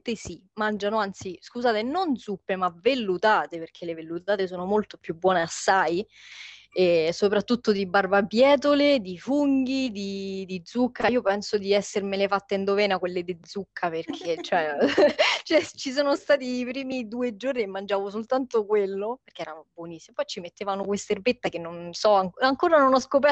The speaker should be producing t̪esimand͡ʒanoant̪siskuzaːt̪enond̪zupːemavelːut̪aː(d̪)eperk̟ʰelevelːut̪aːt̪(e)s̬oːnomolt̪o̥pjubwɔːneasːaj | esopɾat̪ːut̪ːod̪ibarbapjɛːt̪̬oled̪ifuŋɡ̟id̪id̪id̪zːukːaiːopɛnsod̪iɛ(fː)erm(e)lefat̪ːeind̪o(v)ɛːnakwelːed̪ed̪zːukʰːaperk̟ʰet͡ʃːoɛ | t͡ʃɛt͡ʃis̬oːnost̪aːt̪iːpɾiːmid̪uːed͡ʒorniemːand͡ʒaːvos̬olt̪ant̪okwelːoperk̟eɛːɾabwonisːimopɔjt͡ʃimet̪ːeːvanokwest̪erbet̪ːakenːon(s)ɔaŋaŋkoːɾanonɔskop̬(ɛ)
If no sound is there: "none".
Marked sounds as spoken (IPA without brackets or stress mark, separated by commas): t̪, e, sː, e, v, s, ɛ